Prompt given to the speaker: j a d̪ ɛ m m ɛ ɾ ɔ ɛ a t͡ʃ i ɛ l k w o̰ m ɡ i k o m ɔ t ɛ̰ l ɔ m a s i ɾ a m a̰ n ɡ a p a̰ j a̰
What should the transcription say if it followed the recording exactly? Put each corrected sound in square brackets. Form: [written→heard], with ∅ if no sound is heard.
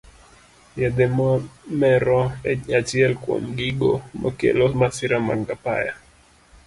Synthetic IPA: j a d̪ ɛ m m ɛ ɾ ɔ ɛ a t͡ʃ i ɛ l k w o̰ m ɡ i [k→ɡ] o m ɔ [t→k] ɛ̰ l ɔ m a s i ɾ a m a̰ [n→ŋ] ɡ a p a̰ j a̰